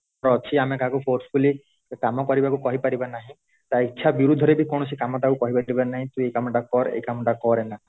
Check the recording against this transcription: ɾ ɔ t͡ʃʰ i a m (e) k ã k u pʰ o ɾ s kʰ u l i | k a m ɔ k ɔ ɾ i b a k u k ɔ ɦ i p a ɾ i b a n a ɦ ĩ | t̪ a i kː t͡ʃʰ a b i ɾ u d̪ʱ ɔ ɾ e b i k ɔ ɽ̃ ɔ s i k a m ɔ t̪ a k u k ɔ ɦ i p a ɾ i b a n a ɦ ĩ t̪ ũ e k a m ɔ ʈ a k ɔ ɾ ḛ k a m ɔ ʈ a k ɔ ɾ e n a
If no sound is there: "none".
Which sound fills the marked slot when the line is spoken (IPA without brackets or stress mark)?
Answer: e